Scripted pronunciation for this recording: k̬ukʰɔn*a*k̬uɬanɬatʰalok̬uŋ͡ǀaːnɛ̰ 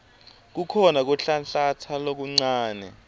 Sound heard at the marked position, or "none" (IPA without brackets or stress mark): a